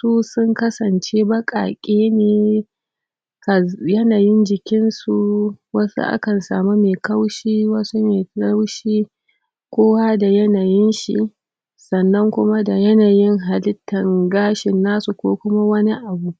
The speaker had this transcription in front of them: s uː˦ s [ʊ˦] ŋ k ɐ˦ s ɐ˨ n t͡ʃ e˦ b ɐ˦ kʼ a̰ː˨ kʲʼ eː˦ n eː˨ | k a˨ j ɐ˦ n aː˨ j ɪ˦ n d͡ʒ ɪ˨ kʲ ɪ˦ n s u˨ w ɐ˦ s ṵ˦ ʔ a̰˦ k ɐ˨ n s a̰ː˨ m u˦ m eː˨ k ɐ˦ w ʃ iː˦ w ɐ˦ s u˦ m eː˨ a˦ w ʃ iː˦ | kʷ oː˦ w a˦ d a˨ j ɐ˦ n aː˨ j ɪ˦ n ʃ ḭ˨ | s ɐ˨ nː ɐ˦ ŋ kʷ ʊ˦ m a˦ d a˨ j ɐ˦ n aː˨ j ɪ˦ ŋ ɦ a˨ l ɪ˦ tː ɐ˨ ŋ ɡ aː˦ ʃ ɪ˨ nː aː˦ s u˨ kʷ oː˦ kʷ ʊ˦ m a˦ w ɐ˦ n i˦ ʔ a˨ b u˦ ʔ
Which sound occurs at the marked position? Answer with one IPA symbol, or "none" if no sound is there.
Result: ʊ˦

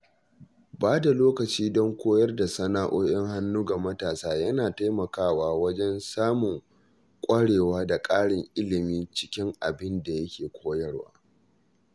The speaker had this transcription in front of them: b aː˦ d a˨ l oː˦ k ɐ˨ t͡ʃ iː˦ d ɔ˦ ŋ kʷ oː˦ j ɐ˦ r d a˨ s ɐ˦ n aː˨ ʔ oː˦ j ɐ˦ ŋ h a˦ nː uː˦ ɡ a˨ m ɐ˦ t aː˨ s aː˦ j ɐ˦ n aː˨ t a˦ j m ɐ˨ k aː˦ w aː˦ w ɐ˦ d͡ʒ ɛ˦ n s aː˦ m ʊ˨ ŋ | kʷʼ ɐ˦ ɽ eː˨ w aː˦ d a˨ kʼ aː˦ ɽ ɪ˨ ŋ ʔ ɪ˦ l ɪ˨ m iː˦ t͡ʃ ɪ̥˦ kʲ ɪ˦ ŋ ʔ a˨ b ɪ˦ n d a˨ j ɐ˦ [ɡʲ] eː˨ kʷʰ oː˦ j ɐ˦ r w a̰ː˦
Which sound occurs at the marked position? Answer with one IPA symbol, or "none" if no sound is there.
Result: kʲ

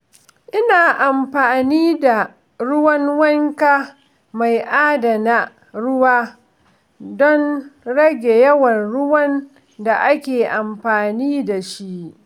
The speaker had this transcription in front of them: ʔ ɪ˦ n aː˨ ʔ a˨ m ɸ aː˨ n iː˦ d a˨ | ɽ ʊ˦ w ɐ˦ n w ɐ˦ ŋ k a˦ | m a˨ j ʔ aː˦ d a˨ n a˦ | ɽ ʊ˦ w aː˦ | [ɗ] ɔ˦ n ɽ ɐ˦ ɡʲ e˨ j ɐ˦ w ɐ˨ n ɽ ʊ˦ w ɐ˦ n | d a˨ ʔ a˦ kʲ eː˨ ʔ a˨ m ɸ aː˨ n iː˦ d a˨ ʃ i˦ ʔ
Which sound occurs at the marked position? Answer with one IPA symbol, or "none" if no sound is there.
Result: d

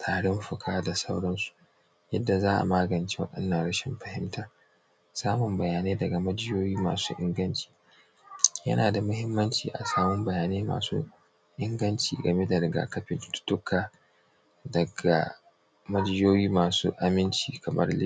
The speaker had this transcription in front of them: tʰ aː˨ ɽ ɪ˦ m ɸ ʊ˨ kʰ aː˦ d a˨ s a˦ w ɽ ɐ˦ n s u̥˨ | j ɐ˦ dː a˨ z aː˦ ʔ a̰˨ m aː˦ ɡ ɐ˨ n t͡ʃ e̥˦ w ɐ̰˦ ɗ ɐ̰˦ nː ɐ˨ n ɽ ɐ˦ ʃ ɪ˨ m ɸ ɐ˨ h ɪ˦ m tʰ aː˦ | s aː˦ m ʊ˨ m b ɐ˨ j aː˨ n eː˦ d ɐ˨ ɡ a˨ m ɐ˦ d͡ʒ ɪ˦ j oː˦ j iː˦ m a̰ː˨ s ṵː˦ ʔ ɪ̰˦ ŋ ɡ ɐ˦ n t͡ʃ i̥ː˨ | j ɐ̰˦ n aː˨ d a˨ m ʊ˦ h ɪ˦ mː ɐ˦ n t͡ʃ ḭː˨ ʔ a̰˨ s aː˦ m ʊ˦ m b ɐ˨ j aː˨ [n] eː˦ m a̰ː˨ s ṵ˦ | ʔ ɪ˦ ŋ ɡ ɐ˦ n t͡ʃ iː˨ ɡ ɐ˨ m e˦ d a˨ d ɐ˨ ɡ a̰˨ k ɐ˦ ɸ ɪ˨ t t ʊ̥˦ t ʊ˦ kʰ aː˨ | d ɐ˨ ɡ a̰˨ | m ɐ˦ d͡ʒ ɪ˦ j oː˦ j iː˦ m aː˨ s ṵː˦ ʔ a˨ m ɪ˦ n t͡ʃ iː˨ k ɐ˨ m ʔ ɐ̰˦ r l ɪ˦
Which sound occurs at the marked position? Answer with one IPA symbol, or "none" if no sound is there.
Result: n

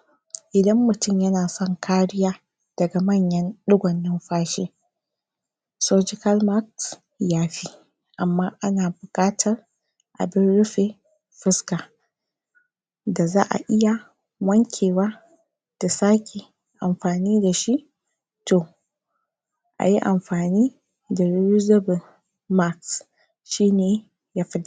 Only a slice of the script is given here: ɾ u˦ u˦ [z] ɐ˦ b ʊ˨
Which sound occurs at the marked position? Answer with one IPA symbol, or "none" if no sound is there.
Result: z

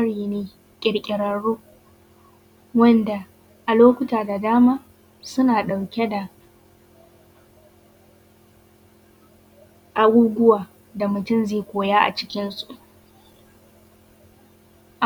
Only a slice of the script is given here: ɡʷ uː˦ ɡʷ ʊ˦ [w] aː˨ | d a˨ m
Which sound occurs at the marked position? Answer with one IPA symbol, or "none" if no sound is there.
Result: w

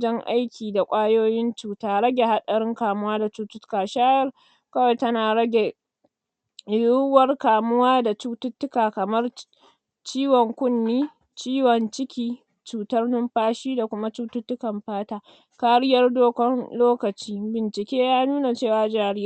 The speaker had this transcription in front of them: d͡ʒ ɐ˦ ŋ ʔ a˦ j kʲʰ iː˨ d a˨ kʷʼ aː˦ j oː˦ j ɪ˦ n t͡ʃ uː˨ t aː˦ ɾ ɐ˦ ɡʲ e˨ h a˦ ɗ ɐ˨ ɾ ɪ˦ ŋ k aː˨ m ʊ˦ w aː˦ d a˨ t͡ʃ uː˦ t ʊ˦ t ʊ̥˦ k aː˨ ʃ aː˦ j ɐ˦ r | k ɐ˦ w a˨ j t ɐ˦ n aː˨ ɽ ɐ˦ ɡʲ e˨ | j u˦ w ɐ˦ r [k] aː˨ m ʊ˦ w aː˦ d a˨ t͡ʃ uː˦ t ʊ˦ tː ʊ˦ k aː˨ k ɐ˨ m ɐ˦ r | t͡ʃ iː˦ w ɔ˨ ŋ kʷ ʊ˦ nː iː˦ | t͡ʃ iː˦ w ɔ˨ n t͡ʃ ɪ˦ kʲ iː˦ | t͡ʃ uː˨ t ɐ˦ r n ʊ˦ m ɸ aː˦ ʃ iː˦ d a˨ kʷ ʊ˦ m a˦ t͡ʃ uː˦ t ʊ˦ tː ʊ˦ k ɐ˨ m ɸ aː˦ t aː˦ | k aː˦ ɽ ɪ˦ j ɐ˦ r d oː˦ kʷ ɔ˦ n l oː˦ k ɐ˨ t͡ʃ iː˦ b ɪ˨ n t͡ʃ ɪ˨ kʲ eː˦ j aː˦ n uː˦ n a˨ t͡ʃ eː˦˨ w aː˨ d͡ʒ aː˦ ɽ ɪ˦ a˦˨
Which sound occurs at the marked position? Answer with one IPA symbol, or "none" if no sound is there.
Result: k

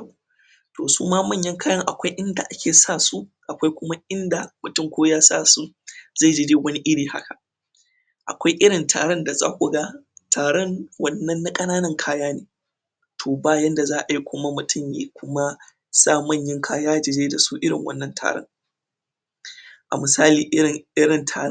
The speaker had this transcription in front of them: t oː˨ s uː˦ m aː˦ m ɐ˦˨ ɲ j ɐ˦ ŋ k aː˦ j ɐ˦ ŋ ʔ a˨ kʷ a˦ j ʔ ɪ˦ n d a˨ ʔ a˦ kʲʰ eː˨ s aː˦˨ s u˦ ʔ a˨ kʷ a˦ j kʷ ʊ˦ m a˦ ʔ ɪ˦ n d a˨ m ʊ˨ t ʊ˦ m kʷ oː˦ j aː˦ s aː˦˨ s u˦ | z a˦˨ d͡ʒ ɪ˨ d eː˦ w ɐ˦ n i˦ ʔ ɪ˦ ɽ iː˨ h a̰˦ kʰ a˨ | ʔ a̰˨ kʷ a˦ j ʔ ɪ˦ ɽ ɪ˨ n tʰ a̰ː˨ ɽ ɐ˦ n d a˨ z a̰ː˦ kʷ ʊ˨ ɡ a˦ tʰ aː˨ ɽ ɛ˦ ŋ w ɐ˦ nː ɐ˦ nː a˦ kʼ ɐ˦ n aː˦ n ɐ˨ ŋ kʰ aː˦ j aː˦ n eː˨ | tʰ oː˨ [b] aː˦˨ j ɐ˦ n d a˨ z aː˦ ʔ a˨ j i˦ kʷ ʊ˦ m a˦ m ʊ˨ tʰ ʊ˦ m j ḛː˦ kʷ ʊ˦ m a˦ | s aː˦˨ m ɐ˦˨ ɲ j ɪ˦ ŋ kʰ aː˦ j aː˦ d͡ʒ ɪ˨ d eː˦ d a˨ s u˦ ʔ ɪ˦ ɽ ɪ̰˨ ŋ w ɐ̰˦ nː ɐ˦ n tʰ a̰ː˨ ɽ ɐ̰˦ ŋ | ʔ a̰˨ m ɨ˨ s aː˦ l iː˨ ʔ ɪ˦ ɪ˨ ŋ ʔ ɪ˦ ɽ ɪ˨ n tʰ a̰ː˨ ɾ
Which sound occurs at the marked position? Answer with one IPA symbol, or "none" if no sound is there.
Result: b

